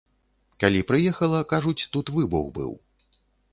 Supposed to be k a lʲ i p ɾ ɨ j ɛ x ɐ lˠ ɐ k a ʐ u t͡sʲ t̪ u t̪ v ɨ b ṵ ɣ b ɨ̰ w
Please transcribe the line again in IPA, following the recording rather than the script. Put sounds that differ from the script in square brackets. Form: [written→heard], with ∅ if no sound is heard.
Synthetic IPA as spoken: k a lʲ i p ɾ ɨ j ɛ x ɐ lˠ ɐ k a ʐ u t͡sʲ t̪ u t̪ v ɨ b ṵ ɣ b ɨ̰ w